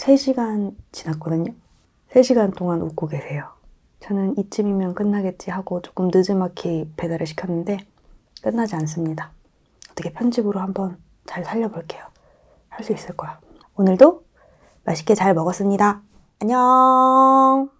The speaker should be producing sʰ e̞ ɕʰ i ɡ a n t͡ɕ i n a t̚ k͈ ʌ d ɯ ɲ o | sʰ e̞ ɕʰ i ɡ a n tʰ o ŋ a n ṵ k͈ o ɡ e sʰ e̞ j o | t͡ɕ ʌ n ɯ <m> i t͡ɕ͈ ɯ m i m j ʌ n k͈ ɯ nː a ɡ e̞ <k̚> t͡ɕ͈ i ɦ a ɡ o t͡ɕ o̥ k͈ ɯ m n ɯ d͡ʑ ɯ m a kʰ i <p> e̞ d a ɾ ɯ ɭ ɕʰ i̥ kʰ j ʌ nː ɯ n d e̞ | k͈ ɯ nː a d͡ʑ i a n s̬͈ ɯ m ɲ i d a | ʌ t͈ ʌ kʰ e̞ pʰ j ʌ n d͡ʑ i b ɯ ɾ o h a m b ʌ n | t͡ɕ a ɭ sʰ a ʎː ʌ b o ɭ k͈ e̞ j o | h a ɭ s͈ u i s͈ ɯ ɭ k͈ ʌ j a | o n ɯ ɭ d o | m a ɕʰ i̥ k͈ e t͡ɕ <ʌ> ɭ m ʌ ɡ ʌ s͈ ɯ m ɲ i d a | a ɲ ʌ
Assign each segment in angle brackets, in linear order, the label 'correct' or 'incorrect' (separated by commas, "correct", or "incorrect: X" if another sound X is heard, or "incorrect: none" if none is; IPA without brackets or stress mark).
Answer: incorrect: n, incorrect: t̚, correct, incorrect: a